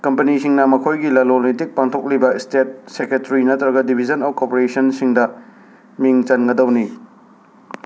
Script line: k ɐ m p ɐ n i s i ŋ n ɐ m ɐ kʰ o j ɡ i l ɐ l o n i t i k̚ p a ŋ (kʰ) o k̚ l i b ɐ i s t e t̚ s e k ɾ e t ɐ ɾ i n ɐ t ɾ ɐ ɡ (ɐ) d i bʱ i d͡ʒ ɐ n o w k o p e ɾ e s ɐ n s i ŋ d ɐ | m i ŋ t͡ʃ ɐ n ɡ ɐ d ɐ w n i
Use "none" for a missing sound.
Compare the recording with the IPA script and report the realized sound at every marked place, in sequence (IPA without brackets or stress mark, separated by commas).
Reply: tʰ, ɐ